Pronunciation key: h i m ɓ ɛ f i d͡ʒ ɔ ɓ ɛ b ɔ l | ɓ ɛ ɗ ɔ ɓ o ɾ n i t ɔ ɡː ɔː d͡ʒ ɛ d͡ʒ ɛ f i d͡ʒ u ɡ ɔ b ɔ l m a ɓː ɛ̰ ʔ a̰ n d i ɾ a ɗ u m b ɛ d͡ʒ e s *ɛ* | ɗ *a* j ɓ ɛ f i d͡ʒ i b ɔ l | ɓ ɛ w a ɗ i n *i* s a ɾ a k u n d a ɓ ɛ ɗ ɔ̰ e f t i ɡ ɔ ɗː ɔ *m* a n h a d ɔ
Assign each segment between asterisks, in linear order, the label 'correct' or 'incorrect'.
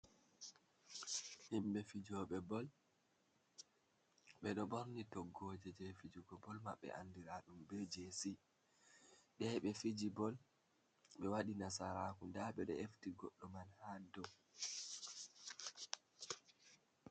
incorrect, incorrect, incorrect, correct

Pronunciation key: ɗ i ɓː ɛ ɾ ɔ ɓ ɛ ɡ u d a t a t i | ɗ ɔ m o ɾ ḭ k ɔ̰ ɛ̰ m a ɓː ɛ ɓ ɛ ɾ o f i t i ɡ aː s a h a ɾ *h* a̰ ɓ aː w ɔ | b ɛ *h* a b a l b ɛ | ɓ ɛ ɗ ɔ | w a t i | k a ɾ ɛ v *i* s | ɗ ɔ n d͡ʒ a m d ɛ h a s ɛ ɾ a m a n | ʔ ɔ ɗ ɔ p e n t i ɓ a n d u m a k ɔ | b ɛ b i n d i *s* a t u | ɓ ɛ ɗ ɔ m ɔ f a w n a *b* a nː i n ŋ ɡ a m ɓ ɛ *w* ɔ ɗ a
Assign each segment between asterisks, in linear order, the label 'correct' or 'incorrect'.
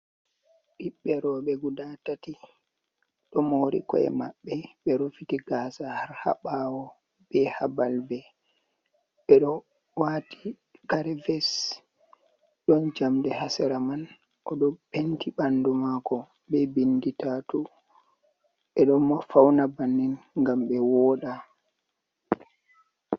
correct, correct, incorrect, incorrect, correct, correct

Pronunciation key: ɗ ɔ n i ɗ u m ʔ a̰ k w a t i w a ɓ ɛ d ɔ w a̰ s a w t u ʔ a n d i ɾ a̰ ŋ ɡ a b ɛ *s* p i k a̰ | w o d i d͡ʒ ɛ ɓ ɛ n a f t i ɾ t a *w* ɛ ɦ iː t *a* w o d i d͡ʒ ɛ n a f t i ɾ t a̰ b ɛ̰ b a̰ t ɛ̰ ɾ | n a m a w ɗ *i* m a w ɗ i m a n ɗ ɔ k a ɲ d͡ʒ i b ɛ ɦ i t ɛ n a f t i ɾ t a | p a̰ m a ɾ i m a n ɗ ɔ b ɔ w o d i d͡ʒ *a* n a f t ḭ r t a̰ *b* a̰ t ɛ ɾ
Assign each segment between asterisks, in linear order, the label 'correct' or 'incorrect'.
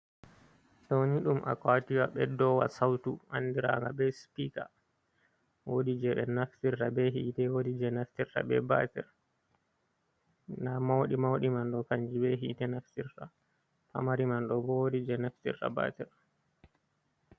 correct, incorrect, incorrect, correct, incorrect, correct

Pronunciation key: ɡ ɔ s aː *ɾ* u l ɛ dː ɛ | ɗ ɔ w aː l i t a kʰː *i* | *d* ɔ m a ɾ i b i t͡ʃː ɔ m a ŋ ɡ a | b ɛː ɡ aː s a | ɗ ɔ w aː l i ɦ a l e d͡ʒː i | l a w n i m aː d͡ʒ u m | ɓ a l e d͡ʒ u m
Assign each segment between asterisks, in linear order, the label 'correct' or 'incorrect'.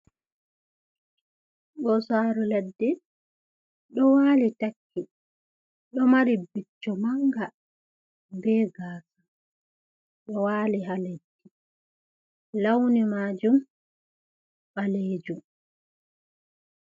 correct, correct, incorrect

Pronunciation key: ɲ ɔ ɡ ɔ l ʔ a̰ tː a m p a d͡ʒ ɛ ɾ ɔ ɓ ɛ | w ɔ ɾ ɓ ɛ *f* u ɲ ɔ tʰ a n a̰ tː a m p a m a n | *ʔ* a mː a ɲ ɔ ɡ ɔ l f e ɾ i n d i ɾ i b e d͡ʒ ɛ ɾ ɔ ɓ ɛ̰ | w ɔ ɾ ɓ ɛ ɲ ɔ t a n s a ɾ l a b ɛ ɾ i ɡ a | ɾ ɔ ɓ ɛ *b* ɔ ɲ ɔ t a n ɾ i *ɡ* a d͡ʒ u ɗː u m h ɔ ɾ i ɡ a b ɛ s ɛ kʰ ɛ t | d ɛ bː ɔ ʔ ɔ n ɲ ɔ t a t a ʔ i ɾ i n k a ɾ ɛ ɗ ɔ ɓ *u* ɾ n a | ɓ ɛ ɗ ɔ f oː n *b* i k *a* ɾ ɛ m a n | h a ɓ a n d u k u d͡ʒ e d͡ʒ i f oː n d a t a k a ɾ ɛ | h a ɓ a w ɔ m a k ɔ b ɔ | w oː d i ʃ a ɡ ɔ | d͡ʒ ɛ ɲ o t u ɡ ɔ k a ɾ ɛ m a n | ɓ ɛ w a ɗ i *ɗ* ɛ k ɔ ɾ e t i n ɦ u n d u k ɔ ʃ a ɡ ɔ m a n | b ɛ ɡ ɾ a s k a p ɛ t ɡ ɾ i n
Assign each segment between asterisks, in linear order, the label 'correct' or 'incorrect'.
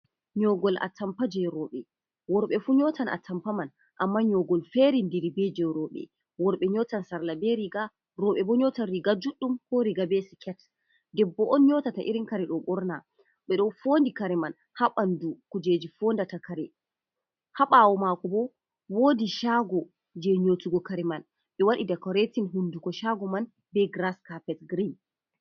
correct, correct, correct, correct, incorrect, incorrect, correct, incorrect

